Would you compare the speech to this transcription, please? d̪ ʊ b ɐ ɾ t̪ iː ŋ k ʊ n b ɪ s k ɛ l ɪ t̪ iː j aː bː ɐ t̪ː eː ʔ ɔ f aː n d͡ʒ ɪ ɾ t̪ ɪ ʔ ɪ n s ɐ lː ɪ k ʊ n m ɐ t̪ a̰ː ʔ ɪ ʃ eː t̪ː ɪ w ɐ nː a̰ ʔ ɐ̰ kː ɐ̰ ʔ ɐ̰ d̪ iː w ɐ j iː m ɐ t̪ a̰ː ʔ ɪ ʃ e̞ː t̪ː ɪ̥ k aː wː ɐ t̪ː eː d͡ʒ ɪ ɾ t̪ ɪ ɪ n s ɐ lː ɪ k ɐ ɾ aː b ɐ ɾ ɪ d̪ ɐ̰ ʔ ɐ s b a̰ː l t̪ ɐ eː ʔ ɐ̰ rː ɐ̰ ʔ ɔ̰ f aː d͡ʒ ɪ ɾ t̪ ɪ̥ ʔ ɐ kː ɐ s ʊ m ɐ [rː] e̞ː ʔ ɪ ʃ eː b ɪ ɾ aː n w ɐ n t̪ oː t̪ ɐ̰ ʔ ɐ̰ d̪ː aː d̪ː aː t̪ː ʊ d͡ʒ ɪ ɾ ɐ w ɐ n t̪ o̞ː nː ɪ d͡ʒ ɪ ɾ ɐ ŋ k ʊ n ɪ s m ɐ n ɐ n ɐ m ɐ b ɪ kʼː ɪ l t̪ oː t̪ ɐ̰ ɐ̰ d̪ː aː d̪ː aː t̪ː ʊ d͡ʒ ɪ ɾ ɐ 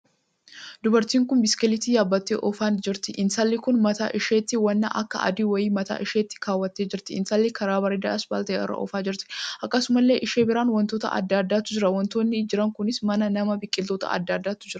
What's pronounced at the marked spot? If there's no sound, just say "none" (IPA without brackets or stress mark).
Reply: lː